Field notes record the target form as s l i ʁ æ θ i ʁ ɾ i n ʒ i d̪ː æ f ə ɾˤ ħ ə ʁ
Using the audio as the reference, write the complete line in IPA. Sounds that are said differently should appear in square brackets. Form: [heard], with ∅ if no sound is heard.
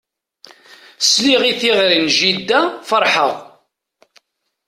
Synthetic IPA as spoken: s l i ʁ [i] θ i ʁ ɾ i n ʒ i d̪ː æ f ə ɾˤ ħ ə ʁ